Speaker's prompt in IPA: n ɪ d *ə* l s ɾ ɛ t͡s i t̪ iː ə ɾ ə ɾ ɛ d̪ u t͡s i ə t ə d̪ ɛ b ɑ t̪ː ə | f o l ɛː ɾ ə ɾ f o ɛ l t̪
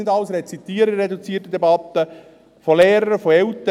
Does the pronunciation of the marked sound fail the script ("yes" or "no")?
yes